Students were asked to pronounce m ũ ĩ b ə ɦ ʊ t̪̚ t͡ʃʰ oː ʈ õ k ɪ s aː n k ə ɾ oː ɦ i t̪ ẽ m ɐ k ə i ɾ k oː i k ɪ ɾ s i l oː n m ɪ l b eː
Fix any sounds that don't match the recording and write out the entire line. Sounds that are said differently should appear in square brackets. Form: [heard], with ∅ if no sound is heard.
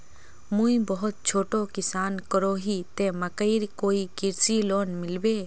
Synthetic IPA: m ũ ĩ b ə ɦ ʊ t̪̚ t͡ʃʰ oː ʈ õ k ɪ s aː n k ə ɾ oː ɦ i t̪ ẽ m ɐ k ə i ɾ k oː i k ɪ ɾ s i l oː n m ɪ l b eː